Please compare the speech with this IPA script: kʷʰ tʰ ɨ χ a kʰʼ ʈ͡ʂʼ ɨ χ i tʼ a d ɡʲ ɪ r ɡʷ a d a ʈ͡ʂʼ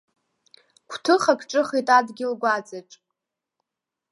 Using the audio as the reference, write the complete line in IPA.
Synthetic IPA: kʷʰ tʰ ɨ χ a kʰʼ ʈ͡ʂʼ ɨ χ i tʼ a d ɡʲ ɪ l ɡʷ a d͡z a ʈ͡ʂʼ

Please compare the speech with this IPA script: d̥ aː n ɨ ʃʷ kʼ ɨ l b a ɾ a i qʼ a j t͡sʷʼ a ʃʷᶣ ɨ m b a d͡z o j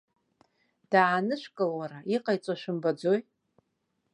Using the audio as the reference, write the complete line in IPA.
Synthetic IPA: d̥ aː n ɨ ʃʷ kʼ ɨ l w a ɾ a i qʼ a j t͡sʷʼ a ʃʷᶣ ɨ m b a d͡z o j

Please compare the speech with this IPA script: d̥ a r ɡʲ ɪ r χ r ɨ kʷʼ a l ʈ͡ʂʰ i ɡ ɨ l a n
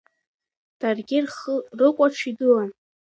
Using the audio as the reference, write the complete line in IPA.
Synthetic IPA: d̥ a r ɡʲ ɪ r χ r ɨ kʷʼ a ʈ͡ʂʰ i d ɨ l a n

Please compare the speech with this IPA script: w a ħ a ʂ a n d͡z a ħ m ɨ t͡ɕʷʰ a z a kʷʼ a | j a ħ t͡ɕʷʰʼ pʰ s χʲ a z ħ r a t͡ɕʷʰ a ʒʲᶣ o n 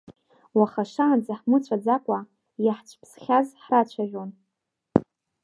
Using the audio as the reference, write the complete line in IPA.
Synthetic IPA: w a χ a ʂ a n d͡z a ħ m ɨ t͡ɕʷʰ a d͡z a kʷʼ a | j a ħ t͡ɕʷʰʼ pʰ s χʲ a z ħ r a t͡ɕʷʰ a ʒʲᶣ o n

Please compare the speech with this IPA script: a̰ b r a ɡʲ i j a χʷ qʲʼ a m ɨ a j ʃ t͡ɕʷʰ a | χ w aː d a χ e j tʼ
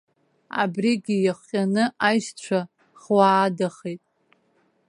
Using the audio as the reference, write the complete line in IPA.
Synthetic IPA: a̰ b r i ɡʲ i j a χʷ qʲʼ a n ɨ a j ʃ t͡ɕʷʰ a | χ w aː d a χ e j tʼ

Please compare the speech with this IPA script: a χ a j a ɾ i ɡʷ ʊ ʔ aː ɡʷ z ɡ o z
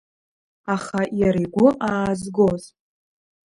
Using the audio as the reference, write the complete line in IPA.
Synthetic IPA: a χ a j a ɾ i ɡʷ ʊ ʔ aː z ɡ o z

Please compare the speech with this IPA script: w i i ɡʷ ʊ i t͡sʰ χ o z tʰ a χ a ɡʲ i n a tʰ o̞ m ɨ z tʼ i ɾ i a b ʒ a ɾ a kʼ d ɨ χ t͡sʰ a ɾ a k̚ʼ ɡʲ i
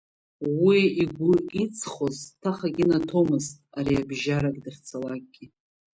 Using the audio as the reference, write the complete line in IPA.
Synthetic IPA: w i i ɡʷ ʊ i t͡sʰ χ o z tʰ a χ a ɡʲ i n a tʰ o̞ m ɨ z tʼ a ɾ i a b ʒ a ɾ a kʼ d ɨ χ t͡sʰ a l a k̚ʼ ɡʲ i

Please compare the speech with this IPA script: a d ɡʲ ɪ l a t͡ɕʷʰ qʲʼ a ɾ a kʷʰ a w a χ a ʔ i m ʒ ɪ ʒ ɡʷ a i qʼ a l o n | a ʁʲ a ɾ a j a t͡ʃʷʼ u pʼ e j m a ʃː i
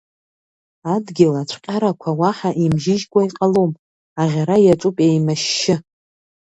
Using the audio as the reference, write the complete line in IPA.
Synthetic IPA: a d ɡʲ ɪ l a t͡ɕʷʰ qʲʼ a ɾ a kʷʰ a w a ħ a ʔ i m ʒ ɪ ʒ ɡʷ a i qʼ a l o m | a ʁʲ a ɾ a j a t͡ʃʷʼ u pʼ e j m a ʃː ɪ

